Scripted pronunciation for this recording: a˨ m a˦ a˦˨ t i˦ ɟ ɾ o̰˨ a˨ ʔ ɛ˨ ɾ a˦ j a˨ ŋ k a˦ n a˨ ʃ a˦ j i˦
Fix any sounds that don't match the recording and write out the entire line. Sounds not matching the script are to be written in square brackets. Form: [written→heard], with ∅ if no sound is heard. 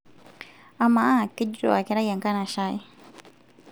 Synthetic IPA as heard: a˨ m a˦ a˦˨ [t→k] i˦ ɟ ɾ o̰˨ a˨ [ʔ→k] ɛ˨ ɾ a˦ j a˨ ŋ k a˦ n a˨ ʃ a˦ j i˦